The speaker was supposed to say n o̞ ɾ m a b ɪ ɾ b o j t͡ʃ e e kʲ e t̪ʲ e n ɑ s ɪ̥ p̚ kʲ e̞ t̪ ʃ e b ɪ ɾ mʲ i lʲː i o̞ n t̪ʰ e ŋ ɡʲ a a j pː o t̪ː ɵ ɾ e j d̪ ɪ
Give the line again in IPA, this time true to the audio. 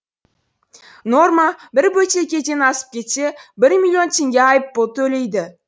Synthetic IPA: n o̞ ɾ m a b ɪ ɾ b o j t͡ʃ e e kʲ e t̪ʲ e n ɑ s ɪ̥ p̚ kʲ e̞ t̪ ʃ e b ɪ ɾ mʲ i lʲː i o̞ n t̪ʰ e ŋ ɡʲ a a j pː o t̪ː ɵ l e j d̪ ɪ